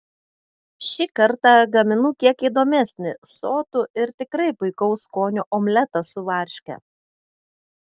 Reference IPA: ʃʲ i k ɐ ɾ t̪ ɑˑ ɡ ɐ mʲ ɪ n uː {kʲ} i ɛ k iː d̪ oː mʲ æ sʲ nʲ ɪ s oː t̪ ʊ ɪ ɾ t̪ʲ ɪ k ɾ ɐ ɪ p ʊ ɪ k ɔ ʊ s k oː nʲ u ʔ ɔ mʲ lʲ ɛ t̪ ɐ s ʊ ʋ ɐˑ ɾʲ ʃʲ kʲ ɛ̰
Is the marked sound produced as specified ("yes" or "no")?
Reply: yes